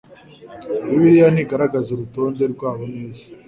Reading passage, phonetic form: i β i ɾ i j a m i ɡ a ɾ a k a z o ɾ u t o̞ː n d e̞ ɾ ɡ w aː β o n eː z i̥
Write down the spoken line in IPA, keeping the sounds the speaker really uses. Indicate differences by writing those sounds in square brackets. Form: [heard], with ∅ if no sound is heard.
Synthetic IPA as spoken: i β i ɾ i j a [n] i ɡ a ɾ a [ɡ] a z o ɾ u t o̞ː n d e̞ ɾ ɡ w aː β o n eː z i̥